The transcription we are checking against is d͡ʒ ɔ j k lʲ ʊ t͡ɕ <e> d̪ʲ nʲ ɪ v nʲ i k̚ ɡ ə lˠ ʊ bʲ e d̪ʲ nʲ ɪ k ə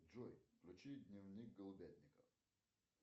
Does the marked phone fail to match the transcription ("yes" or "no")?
yes